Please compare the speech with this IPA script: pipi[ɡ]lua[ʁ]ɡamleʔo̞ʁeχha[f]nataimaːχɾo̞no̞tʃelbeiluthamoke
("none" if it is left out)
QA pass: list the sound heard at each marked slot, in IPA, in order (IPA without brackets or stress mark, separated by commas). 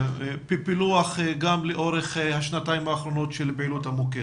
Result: none, χ, ʃ